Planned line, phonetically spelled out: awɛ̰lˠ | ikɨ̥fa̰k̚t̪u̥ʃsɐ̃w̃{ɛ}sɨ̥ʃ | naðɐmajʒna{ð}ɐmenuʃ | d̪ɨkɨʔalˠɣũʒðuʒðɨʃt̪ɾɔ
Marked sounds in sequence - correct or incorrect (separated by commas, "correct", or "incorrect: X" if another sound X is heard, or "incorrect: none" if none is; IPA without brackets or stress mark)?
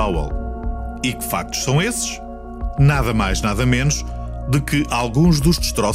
incorrect: e, correct